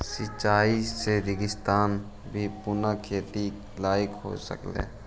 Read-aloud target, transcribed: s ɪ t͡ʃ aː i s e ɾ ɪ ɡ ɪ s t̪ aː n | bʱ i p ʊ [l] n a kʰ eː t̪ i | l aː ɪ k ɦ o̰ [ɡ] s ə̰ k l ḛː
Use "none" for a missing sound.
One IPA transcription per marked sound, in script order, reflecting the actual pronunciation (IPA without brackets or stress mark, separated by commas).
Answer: none, none